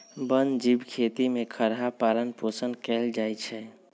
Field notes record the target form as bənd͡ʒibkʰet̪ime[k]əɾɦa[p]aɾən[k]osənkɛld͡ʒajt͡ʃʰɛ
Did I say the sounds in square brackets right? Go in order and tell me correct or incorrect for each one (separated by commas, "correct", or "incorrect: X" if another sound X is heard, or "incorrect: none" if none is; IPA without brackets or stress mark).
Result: incorrect: kʰ, correct, incorrect: p